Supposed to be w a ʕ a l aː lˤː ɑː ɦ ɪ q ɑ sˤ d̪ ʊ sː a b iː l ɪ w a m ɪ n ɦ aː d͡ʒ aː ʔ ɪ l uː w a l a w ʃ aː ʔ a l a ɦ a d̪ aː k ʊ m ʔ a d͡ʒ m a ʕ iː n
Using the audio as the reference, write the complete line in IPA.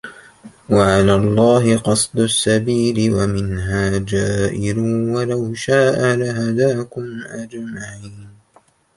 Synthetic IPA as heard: w a ʕ a l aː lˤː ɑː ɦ ɪ q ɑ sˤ d̪ ʊ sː a b iː l ɪ w a m ɪ n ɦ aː d͡ʒ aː ʔ ɪ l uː w a l a w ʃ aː ʔ a l a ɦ a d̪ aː k ʊ m ʔ a d͡ʒ m a ʕ iː n